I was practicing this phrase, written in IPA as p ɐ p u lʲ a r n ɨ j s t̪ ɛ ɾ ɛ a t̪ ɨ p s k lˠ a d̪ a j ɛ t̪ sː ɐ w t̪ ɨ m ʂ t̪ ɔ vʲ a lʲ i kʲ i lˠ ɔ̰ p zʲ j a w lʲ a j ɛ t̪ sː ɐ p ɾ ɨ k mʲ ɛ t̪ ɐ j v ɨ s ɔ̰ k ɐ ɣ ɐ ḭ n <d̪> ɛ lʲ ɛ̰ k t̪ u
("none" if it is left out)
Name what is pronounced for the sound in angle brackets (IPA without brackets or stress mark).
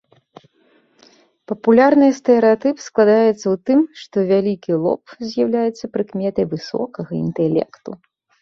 t̪